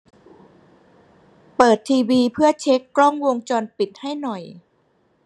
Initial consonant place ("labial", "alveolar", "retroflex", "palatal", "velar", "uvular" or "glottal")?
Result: labial